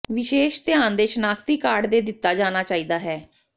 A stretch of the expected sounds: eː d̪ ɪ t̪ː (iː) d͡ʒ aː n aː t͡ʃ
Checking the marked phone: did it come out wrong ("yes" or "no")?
yes